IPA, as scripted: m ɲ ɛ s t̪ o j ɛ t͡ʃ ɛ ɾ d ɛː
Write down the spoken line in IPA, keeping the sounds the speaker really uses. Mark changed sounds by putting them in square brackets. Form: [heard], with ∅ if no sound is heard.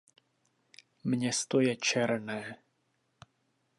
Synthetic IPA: m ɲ ɛ s t̪ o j ɛ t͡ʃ ɛ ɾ [n] ɛː